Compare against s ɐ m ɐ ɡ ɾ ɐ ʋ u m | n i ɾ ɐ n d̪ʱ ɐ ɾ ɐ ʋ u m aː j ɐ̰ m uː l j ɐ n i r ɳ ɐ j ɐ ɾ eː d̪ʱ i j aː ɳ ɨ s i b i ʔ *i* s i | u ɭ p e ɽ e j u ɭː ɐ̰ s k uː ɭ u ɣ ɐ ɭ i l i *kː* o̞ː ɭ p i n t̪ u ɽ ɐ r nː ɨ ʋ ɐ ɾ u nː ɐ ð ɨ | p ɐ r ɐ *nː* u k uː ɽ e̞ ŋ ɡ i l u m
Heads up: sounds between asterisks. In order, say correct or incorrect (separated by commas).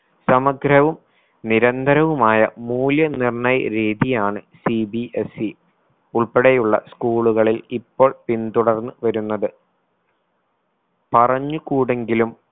incorrect, incorrect, incorrect